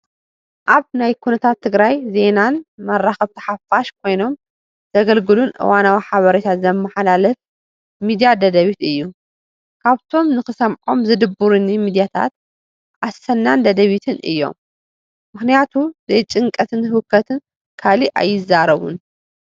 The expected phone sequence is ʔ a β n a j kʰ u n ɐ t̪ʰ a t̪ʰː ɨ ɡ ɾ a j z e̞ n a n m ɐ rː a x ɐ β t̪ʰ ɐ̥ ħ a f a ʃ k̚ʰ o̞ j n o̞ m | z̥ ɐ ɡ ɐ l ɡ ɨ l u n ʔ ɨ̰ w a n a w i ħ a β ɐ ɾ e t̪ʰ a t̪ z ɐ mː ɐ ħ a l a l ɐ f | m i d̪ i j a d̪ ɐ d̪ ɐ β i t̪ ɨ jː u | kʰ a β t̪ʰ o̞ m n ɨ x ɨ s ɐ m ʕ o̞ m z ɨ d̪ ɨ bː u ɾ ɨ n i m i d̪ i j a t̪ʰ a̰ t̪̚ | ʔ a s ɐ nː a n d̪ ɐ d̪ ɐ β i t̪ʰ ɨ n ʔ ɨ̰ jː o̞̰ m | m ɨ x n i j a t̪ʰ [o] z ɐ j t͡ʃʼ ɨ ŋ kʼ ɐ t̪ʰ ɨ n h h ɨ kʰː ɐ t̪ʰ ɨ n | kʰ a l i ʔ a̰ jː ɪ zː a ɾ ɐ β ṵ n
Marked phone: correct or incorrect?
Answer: incorrect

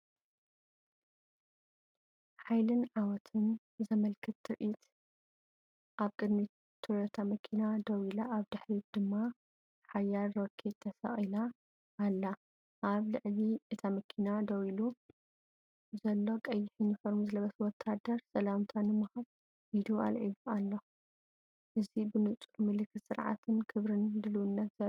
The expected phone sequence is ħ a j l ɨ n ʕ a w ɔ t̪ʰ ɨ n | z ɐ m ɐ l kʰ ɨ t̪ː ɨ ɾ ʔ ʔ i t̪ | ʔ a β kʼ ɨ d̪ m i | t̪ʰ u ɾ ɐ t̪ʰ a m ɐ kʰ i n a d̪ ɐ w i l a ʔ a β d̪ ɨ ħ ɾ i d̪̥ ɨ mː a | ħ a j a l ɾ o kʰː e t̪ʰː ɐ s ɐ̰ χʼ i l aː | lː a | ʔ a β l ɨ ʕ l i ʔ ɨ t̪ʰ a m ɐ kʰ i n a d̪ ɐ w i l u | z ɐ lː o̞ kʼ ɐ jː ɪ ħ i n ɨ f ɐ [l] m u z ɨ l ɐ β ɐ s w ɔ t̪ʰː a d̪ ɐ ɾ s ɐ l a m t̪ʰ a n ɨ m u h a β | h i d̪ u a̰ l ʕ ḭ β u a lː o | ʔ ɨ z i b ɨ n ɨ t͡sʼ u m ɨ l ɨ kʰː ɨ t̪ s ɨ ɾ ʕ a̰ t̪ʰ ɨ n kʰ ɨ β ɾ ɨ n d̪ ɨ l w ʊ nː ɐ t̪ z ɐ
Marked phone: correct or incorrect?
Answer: incorrect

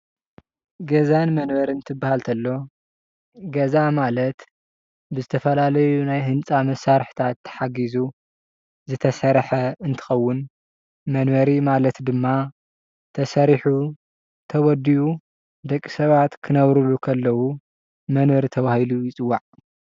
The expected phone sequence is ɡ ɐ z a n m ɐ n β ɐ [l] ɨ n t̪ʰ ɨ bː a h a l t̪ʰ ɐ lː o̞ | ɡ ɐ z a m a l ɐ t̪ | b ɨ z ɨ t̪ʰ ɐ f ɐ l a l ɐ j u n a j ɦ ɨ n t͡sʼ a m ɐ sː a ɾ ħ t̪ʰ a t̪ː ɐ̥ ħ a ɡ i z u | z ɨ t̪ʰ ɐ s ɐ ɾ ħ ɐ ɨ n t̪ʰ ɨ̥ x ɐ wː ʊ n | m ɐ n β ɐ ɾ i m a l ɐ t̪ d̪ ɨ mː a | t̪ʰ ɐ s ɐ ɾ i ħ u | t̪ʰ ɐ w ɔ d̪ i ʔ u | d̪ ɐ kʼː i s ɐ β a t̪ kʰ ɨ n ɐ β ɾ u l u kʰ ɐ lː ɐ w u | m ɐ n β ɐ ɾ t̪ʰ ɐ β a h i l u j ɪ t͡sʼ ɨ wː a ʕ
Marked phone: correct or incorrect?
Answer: incorrect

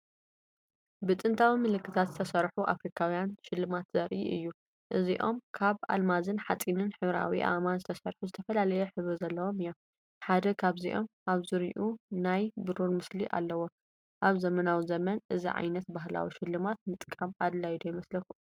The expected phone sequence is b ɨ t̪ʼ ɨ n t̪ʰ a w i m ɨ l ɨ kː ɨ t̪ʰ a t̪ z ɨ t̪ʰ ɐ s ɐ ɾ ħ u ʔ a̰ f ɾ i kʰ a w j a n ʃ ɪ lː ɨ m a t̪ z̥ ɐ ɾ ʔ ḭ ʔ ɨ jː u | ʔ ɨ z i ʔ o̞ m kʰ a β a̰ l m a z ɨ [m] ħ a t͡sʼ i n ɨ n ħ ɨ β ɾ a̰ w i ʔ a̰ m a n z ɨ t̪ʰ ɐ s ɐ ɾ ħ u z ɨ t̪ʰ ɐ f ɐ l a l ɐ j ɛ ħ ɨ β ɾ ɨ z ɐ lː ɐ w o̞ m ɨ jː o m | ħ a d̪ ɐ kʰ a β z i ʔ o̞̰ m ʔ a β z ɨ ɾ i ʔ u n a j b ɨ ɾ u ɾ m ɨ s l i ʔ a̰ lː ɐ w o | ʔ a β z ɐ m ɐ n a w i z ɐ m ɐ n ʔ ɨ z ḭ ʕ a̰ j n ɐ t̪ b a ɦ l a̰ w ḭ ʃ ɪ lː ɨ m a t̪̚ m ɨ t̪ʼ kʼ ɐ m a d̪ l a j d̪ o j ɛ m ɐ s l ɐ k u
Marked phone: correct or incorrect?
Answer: incorrect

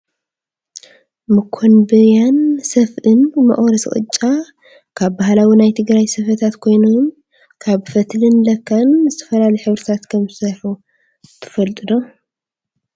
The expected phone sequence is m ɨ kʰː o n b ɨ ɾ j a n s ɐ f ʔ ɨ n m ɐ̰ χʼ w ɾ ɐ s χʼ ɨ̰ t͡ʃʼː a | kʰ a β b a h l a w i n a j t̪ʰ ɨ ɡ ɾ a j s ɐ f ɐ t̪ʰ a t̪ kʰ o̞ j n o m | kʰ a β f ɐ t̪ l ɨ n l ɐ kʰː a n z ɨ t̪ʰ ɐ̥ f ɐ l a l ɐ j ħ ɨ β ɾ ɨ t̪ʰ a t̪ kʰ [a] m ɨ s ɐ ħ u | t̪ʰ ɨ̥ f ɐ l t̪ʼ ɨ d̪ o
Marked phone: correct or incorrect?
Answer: incorrect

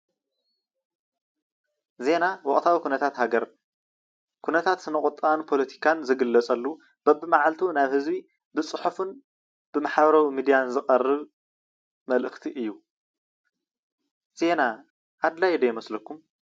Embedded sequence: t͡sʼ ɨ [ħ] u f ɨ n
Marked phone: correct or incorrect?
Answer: correct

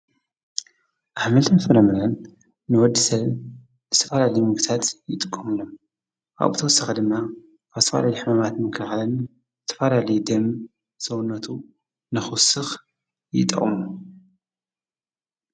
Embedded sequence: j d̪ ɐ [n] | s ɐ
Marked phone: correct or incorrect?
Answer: incorrect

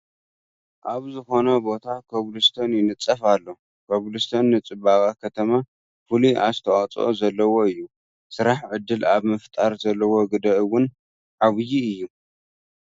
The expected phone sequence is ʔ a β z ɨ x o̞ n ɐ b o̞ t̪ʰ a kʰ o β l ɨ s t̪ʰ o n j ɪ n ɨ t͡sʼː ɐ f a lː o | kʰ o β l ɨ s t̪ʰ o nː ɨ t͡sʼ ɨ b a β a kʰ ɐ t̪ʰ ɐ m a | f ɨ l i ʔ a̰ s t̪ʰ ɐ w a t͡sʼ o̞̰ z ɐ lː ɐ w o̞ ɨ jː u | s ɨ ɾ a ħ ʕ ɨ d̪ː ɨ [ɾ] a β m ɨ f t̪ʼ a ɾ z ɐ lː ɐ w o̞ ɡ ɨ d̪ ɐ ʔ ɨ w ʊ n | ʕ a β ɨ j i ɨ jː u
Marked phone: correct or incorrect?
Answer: incorrect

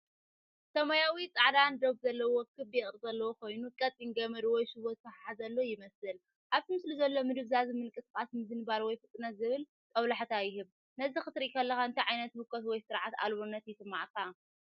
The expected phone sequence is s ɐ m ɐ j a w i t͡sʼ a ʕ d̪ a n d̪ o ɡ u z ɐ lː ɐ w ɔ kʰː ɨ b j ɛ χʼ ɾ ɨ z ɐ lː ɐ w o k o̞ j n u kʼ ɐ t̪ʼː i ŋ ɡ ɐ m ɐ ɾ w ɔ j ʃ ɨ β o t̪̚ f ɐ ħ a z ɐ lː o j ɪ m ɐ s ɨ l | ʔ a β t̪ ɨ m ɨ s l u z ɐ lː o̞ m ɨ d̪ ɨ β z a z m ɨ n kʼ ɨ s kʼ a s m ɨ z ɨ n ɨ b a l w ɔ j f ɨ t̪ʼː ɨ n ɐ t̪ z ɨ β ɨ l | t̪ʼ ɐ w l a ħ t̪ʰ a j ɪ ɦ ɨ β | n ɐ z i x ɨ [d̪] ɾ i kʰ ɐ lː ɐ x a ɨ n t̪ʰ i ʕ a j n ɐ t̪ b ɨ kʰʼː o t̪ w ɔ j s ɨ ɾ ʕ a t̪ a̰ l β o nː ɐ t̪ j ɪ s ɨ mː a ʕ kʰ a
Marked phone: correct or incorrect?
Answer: incorrect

